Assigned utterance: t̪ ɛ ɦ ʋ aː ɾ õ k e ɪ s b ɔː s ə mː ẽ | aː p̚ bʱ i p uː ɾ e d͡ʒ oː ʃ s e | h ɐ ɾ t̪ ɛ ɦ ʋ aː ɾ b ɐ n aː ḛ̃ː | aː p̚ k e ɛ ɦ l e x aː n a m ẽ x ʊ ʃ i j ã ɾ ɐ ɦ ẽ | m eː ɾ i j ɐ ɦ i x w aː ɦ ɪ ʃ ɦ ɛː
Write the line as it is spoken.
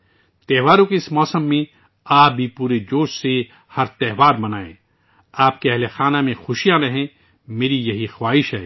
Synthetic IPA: t̪ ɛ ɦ ʋ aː ɾ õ k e ɪ s m ɔː s ə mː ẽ | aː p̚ bʱ i p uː ɾ e d͡ʒ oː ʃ s e | h ɐ ɾ t̪ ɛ ɦ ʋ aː ɾ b ɐ n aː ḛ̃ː | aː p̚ k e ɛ ɦ l e x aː n a m ẽ x ʊ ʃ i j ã ɾ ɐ ɦ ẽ | m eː ɾ i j ɐ ɦ i x w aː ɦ ɪ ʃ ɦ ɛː